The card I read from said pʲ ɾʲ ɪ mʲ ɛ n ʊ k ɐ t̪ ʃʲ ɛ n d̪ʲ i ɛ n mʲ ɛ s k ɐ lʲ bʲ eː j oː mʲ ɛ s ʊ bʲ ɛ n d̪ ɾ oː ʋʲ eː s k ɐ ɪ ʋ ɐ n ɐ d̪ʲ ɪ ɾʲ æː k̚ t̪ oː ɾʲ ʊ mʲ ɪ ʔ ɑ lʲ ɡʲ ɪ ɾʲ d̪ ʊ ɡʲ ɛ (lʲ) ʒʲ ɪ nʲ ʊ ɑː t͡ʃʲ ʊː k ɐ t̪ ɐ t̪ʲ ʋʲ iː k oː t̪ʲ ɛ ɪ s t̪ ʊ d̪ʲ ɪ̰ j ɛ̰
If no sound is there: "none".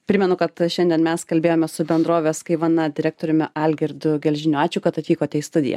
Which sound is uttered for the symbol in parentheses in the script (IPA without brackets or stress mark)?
lʲ